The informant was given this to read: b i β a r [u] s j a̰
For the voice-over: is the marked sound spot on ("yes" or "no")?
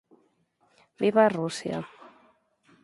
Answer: yes